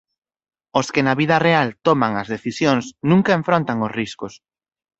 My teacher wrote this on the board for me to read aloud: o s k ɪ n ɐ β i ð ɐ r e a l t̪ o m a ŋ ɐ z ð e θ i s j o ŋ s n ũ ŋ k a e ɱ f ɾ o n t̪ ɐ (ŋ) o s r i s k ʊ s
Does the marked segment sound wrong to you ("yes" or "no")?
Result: no